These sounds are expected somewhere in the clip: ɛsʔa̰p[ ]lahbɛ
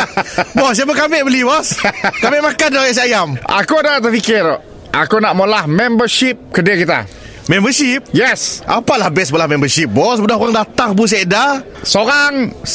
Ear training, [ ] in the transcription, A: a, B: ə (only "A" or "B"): A